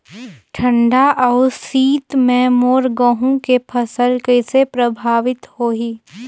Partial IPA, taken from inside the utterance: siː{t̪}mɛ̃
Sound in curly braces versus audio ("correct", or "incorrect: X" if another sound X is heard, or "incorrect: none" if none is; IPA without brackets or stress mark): correct